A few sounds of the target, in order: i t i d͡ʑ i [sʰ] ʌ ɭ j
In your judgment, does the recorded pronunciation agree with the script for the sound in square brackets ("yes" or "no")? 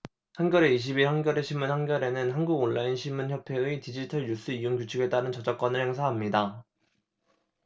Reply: no